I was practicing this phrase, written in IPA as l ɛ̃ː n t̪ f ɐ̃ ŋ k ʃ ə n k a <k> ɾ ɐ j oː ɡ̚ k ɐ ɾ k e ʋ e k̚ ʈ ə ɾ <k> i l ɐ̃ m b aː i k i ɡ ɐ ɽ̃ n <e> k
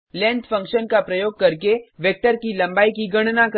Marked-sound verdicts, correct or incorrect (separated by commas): incorrect, correct, incorrect